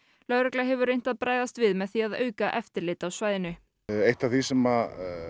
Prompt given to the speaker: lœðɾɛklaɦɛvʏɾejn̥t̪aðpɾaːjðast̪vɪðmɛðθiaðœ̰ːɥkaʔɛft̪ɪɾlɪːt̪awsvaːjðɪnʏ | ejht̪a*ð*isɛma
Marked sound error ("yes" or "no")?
yes